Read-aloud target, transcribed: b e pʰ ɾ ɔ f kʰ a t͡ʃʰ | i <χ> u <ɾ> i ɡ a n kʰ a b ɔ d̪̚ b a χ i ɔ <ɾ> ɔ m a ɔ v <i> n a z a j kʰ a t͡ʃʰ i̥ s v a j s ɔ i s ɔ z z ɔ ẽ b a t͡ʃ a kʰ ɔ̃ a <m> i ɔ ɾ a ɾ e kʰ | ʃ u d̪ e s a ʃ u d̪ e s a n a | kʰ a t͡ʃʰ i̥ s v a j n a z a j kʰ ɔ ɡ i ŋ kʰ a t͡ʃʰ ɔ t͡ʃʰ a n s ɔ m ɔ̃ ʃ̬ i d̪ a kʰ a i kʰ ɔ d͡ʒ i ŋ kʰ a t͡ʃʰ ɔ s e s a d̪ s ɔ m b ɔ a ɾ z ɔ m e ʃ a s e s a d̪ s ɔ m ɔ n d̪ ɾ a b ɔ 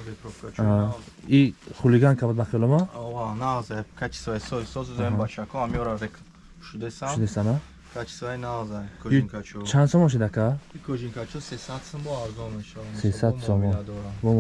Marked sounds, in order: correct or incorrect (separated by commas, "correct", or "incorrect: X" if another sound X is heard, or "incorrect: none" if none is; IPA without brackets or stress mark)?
correct, incorrect: l, incorrect: l, incorrect: a, correct